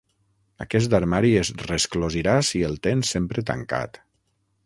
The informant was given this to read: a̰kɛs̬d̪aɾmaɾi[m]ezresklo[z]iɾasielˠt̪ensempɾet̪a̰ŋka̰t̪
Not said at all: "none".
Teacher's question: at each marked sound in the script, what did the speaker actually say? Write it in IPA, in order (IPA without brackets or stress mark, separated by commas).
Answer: none, z